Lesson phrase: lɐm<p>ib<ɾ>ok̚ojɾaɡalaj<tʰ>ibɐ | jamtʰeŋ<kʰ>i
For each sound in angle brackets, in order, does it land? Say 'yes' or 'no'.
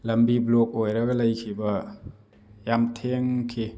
no, no, no, yes

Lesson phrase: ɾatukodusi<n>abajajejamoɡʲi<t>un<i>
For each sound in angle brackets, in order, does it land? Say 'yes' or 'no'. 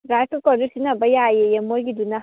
yes, no, no

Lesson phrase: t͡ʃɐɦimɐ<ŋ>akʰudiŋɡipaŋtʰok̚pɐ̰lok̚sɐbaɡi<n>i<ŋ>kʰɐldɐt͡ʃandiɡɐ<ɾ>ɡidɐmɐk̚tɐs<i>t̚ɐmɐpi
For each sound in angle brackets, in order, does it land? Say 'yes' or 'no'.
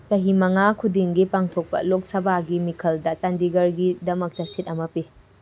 yes, no, no, yes, yes

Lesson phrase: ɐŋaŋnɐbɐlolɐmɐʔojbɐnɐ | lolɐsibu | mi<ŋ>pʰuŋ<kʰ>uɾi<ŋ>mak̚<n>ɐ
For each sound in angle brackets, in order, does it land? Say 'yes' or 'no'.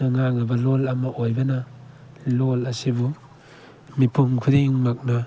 no, yes, yes, yes

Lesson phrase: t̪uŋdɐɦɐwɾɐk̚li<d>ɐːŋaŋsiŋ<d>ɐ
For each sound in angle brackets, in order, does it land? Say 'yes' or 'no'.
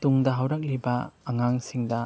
no, yes

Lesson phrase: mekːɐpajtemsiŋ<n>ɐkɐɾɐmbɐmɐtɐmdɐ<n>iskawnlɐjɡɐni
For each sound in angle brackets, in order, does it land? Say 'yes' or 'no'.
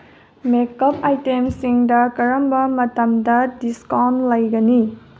no, no

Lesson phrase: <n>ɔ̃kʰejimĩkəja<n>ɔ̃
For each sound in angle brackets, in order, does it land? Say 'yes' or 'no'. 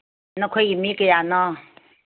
yes, yes

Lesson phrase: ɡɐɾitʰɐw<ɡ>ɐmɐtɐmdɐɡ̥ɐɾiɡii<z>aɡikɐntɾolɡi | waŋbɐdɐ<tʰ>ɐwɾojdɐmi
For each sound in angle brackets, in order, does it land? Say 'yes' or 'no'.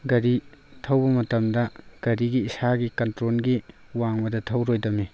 no, no, yes

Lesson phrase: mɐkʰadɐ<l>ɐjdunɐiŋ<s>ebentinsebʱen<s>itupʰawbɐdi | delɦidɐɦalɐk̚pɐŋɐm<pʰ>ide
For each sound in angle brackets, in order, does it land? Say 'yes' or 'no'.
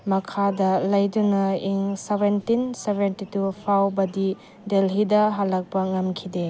yes, yes, no, no

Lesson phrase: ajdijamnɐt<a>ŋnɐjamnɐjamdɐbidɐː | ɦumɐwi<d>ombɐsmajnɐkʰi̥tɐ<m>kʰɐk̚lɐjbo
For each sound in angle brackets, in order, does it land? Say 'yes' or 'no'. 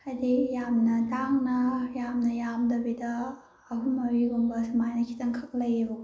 yes, no, no

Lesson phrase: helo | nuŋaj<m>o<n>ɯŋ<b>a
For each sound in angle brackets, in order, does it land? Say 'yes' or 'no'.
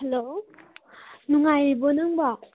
no, yes, yes

